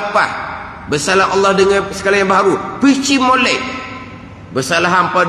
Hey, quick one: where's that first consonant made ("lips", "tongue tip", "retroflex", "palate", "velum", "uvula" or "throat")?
lips